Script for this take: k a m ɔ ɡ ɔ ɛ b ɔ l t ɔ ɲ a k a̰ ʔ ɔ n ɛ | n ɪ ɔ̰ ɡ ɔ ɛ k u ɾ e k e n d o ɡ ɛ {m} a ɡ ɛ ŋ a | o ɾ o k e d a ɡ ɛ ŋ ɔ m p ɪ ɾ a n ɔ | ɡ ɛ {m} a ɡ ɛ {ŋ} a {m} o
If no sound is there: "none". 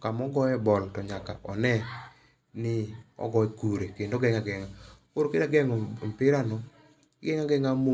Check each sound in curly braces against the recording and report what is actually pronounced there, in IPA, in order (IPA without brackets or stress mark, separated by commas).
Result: ŋ, ŋ, ŋ, m